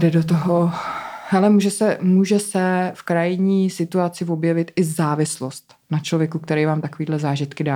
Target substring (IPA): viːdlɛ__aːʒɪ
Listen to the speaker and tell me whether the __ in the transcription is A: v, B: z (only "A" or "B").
B